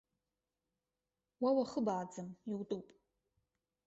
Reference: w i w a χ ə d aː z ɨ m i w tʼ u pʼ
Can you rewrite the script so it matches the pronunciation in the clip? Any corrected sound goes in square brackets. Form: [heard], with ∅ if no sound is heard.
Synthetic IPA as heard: w [a] w a χ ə [b] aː [d͡z] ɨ m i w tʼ u pʼ